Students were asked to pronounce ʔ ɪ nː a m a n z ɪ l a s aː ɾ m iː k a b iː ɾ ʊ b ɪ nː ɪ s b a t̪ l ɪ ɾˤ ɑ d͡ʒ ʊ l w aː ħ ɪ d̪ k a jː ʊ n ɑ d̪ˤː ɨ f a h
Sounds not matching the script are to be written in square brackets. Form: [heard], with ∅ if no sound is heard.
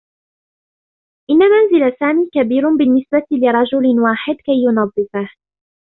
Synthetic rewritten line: ʔ ɪ nː a m a n z ɪ l a s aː [∅] m iː k a b iː ɾ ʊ b ɪ nː ɪ s b a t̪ l ɪ ɾˤ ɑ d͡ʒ ʊ l w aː ħ ɪ d̪ k a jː ʊ n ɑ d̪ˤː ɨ f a h